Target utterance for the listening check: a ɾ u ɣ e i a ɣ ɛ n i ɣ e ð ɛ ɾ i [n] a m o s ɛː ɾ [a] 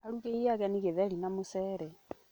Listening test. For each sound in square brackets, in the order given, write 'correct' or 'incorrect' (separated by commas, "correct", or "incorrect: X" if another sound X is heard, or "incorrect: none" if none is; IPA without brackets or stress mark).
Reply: correct, incorrect: ɛ